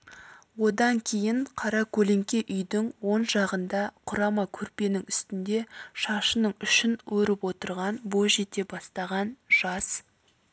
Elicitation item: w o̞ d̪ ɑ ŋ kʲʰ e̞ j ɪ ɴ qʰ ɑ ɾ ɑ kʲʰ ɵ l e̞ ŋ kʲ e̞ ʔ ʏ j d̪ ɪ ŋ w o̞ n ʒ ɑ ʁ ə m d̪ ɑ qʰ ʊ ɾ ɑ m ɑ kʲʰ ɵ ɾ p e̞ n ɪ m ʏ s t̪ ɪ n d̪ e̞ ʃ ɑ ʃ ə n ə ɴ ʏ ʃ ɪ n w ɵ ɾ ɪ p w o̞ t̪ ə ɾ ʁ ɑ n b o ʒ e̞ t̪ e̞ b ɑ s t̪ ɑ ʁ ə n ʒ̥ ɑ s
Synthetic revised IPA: w o̞ d̪ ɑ ŋ kʲʰ e̞ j ɪ ɴ qʰ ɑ ɾ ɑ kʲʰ ɵ l e̞ ŋ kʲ e̞ ʔ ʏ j d̪ ɪ ŋ w o̞ n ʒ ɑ ʁ ə n d̪ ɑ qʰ ʊ ɾ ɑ m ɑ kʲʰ ɵ ɾ p e̞ n ɪ ŋ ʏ s t̪ ɪ n d̪ e̞ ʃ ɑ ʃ ə n ə ɴ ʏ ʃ ɪ n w ɵ ɾ ɪ p w o̞ t̪ ə ɾ ʁ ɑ n b o ʒ e̞ t̪ e̞ b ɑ s t̪ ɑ ʁ ɑ n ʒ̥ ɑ s